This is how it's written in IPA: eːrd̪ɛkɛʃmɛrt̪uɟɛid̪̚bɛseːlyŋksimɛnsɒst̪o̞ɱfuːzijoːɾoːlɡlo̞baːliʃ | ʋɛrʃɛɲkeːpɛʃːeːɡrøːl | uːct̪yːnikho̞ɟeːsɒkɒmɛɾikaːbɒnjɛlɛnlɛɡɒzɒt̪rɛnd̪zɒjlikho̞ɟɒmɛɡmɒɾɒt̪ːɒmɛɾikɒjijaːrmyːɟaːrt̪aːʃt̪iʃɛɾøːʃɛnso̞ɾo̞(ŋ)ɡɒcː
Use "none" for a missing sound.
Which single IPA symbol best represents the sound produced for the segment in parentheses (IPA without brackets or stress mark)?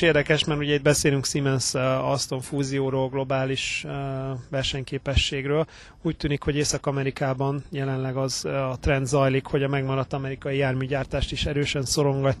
ŋ